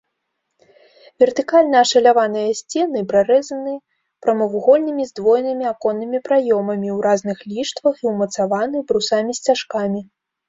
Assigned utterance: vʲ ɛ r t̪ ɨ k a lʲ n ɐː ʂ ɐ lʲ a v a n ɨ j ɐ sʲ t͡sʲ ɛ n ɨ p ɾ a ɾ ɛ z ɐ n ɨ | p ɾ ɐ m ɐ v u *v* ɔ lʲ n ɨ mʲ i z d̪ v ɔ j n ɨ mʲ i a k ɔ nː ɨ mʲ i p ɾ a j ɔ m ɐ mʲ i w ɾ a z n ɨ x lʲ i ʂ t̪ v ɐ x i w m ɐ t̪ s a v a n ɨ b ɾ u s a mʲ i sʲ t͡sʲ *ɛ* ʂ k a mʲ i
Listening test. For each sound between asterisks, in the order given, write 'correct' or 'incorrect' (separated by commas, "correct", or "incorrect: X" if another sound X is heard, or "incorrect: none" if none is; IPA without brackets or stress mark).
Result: incorrect: ɣ, incorrect: a